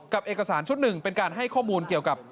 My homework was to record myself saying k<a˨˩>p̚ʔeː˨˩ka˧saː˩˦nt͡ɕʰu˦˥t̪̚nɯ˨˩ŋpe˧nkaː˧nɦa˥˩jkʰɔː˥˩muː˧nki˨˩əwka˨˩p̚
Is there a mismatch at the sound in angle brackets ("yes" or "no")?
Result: no